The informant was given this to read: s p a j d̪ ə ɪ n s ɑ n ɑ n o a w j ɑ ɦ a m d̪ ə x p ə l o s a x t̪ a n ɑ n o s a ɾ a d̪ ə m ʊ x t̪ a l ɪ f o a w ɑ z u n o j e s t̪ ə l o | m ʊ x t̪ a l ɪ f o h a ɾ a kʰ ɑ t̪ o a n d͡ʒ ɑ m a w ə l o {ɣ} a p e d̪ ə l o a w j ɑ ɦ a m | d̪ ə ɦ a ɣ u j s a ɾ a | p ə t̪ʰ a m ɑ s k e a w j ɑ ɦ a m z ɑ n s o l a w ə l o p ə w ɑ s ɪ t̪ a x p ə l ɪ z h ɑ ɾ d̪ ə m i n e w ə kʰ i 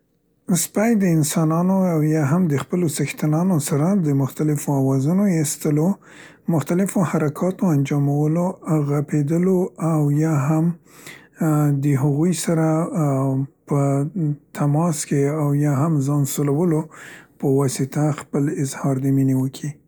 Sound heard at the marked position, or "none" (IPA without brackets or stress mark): ɣ